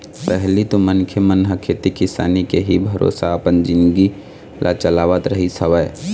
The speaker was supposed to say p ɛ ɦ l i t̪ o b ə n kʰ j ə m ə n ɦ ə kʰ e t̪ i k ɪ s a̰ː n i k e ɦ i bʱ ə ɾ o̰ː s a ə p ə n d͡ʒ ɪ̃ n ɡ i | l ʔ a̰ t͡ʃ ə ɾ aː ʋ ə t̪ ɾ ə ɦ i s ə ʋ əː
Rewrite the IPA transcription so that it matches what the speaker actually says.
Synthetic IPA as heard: p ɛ ɦ l i t̪ o m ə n kʰ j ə m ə n ɦ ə kʰ e t̪ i k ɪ s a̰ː n i k e ɦ i bʱ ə ɾ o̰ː s a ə p ə n d͡ʒ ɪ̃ n ɡ i | l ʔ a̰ t͡ʃ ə l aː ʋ ə t̪ ɾ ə ɦ i s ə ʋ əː